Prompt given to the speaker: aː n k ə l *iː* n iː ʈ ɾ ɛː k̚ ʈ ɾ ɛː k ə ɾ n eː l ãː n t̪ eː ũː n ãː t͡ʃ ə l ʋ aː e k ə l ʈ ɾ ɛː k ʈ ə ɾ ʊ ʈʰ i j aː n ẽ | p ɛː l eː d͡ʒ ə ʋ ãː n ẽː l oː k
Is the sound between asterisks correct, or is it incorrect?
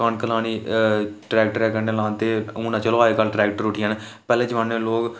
incorrect